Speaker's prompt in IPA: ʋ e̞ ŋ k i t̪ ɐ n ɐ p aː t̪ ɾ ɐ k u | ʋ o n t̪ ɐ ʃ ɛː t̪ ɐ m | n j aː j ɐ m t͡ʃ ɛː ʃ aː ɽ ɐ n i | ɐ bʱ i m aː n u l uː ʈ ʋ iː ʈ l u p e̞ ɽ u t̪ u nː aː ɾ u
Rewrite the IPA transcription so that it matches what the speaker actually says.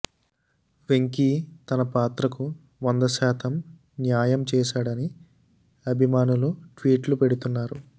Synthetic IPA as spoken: ʋ e̞ ŋ k i t̪ ɐ n ɐ p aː t̪ ɾ ɐ k u | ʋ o n d̪ ɐ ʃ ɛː t̪ ɐ m | n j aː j ɐ m t͡ʃ ɛː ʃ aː ɽ ɐ n i | ɐ bʱ i m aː n u l u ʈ ʋ iː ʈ l u p e̞ ɽ u t̪ u nː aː ɾ u